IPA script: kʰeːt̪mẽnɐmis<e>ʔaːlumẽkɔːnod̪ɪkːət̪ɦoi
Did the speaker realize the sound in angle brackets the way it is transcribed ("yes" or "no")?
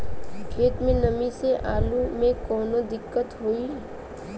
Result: yes